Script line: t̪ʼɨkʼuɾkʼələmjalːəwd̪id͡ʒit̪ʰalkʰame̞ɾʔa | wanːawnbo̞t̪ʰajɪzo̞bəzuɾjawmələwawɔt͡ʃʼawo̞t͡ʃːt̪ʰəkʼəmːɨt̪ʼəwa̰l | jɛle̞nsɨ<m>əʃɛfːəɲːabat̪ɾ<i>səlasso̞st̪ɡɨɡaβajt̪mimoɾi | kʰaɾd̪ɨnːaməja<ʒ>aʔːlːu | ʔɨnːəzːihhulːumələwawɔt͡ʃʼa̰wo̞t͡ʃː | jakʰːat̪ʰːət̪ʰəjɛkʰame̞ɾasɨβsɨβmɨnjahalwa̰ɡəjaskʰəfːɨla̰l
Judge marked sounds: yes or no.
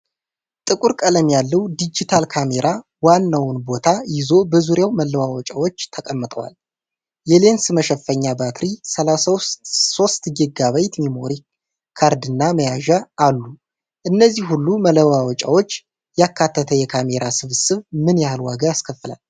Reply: yes, yes, yes

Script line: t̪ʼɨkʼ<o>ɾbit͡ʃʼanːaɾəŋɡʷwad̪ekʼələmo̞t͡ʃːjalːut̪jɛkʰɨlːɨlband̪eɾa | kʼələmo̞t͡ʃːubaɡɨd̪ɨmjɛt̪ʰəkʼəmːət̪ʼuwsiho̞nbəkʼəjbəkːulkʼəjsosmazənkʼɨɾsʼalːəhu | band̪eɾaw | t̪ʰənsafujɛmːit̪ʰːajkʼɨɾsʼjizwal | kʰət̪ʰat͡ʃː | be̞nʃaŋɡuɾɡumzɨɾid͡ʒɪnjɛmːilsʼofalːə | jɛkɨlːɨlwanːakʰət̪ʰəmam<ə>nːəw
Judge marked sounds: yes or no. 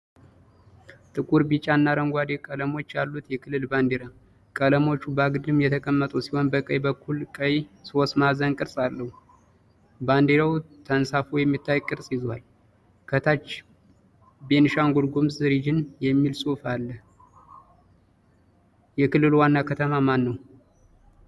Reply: no, no

